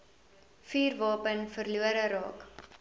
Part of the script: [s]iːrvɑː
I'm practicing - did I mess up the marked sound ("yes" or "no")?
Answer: yes